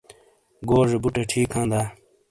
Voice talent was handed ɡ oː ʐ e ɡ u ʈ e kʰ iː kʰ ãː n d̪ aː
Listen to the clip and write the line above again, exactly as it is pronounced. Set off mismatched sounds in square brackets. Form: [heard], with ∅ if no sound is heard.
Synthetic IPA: ɡ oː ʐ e [b] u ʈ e [ʈʰ] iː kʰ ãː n d̪ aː